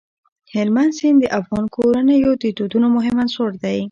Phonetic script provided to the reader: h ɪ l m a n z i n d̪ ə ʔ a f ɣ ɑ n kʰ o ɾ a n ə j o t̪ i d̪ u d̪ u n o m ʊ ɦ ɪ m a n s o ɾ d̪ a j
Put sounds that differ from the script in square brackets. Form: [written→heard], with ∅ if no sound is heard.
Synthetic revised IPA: h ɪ l m a n [z→s] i n d̪ ə ʔ a f ɣ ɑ n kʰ o ɾ a n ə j o t̪ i [d̪→t̪] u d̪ u n o m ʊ ɦ ɪ m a n s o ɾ d̪ a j